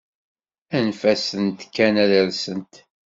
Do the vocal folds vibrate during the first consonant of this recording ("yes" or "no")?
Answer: yes